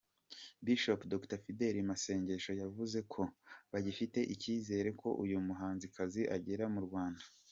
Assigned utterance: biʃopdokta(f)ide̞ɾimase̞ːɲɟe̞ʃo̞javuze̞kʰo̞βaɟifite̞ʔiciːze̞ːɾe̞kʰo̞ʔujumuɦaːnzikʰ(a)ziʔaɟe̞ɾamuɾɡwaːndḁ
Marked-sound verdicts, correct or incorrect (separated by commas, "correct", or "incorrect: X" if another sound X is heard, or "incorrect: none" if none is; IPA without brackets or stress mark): correct, correct